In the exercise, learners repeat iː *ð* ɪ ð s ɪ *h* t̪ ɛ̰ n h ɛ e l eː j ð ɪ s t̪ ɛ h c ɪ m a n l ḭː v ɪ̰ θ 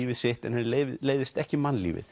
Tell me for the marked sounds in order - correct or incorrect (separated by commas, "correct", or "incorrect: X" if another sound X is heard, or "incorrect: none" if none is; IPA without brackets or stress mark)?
incorrect: v, correct